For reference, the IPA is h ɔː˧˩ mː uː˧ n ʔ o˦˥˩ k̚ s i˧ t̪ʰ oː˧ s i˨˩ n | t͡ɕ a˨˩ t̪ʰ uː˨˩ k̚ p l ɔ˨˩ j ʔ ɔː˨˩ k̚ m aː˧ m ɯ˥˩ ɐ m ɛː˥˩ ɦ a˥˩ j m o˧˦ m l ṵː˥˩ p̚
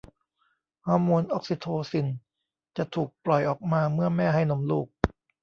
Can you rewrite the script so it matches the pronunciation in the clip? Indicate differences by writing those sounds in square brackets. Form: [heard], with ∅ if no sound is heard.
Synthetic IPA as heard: h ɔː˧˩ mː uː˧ n ʔ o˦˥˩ k̚ s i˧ t̪ʰ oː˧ s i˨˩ n | t͡ɕ a˨˩ t̪ʰ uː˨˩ k̚ p l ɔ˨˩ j ʔ ɔː˨˩ k̚ m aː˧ m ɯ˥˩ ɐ m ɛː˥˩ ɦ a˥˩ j [n] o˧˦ m l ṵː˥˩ [k̚]